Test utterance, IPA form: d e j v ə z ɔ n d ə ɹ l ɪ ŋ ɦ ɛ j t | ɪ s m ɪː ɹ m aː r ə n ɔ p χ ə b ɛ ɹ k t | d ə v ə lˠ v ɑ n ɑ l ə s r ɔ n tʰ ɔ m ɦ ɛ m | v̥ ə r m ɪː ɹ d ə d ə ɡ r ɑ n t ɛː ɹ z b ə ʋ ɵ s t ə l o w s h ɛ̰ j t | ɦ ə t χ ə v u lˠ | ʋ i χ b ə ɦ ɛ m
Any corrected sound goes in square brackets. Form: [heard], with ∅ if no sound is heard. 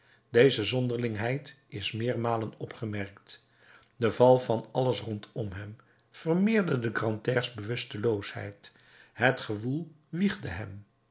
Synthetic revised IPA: d e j [z] ə z ɔ n d ə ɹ l ɪ ŋ ɦ ɛ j t | ɪ s m ɪː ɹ m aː [l] ə n ɔ p χ ə [m] ɛ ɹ k t | d ə v [ɑ] lˠ v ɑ n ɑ l ə s r ɔ n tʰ ɔ m ɦ ɛ m | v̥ ə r m ɪː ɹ d ə d ə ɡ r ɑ n t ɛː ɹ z b ə ʋ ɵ s t ə l o w s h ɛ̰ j t | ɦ ə t χ ə v u lˠ | ʋ i χ [d] ə ɦ ɛ m